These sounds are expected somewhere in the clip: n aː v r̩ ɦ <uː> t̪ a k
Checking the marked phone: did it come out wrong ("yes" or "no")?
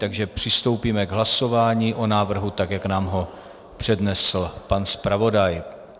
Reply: yes